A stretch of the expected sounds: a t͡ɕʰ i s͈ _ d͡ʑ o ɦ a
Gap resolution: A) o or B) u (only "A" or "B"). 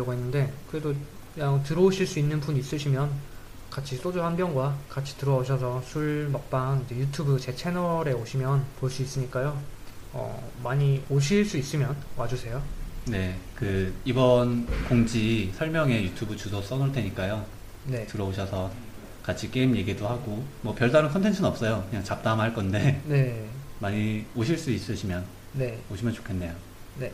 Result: A